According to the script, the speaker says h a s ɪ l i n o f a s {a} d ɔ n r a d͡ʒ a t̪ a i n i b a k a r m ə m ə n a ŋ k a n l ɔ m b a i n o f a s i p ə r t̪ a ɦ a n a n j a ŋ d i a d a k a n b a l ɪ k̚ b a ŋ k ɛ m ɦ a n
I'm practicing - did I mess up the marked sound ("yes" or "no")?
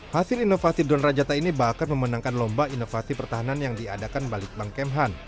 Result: yes